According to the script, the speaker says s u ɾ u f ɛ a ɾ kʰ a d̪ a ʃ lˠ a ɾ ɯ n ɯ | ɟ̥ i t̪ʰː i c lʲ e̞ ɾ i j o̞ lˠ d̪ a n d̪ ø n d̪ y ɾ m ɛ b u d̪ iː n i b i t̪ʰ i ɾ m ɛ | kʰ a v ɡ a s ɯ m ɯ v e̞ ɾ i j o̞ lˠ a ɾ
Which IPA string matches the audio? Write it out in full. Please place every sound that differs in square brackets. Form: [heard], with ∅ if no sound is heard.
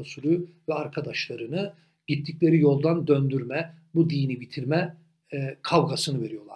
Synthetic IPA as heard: s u ɾ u [v] ɛ a ɾ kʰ a d̪ a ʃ lˠ a ɾ ɯ n ɯ | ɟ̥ i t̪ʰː i c lʲ e̞ ɾ i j o̞ lˠ d̪ a n d̪ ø n d̪ y ɾ m ɛ b u d̪ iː n i b i t̪ʰ i ɾ m ɛ | kʰ a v ɡ a s ɯ [n] ɯ v e̞ ɾ i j o̞ lˠ a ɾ